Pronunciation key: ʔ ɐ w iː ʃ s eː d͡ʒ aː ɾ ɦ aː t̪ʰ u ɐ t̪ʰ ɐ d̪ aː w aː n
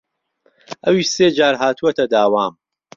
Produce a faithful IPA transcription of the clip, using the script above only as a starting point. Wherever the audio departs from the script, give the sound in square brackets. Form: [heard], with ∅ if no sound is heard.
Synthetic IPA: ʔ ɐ w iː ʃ s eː d͡ʒ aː ɾ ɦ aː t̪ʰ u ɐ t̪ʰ ɐ d̪ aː w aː [m]